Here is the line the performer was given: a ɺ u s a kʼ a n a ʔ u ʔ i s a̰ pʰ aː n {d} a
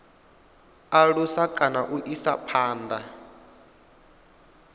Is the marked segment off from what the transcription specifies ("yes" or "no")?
no